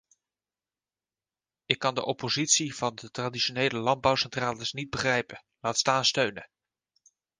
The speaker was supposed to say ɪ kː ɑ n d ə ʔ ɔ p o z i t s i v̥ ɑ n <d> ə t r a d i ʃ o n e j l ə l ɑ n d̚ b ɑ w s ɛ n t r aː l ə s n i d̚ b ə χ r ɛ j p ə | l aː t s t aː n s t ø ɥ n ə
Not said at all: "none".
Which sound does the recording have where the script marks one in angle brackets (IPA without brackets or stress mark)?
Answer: d